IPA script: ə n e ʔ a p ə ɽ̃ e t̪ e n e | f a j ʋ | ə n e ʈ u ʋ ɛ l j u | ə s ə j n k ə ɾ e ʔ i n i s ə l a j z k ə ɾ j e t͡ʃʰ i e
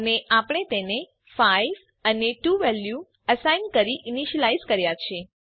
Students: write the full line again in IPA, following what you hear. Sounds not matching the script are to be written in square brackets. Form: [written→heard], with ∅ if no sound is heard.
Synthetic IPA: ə n e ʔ a p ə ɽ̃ e t̪ e n e | f a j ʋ | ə n e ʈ u ʋ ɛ l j u | ə s [ə→a] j n k ə ɾ [e→i] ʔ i n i [s→ʃ] ə l a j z k ə ɾ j [e→a] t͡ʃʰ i e